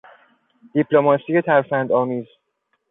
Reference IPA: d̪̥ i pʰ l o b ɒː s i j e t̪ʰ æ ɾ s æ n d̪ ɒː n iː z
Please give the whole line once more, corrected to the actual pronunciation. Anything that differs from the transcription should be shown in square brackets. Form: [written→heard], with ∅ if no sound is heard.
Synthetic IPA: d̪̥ i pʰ l o [b→m] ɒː s i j e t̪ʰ æ ɾ [s→f] æ n d̪ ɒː [n→m] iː z